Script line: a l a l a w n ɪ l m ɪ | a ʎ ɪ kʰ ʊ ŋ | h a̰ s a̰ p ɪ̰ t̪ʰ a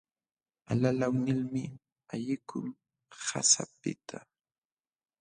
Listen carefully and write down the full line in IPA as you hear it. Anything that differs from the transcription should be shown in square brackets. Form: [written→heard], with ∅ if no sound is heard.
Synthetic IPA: a l a l a w n ɪ l m ɪ | a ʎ ɪ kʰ ʊ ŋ | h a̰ s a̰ p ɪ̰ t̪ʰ a